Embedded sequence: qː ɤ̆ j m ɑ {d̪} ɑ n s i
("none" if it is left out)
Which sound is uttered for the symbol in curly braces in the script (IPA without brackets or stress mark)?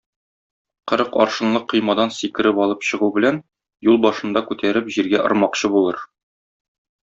d̪